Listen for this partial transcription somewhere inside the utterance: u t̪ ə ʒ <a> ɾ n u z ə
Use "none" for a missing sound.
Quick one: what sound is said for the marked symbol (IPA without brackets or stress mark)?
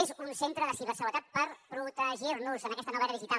i